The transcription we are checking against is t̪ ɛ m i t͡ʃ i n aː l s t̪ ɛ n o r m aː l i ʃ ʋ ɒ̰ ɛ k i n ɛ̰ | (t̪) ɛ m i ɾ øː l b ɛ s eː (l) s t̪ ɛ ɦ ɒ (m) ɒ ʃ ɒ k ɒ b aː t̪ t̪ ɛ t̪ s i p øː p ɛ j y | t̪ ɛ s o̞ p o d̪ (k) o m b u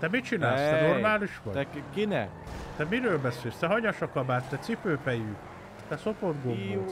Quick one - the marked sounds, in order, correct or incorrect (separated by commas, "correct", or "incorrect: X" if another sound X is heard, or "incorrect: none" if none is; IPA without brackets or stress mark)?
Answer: correct, correct, incorrect: ɲ, incorrect: ɡ